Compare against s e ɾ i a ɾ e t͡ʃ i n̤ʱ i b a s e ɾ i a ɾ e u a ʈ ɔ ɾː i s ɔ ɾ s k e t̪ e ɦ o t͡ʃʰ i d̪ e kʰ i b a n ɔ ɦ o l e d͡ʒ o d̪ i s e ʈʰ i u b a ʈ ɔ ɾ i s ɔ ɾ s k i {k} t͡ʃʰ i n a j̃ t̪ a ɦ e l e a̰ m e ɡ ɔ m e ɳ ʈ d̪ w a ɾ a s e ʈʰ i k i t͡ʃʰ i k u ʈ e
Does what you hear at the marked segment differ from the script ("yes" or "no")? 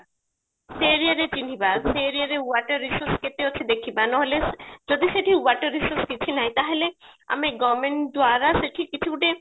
yes